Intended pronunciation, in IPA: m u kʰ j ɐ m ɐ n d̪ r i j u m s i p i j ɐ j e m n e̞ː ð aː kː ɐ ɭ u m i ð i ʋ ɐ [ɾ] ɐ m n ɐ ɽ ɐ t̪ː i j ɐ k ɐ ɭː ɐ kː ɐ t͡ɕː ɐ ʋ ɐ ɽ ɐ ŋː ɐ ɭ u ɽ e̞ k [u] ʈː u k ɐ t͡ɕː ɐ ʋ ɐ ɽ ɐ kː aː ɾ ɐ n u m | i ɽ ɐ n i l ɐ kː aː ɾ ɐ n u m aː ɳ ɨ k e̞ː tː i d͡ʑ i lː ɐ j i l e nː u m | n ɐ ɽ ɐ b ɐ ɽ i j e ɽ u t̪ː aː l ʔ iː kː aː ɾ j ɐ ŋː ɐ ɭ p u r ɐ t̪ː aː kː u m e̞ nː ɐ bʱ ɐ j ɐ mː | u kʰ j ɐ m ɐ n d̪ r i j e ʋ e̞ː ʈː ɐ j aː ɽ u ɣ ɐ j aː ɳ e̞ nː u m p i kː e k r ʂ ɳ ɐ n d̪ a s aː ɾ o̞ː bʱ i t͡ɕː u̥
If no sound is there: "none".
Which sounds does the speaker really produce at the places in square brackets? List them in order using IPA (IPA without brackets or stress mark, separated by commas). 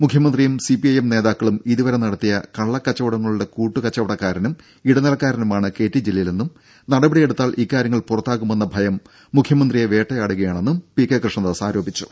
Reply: ɾ, uː